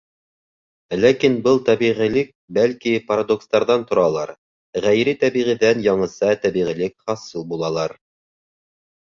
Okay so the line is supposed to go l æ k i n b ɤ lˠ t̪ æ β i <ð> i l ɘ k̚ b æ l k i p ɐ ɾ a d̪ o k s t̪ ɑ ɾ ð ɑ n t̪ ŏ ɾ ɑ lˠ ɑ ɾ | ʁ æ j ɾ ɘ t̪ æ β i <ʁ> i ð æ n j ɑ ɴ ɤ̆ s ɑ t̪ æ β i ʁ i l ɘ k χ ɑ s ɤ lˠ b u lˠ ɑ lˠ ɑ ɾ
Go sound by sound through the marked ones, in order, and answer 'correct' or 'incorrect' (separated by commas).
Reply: incorrect, correct